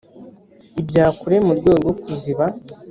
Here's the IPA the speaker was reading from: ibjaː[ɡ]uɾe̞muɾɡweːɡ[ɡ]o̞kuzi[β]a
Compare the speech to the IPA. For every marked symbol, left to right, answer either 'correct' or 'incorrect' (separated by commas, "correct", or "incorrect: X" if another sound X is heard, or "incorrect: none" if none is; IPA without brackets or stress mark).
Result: incorrect: k, correct, correct